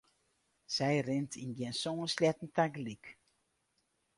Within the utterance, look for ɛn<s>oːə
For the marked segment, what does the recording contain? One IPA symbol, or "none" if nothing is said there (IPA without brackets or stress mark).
s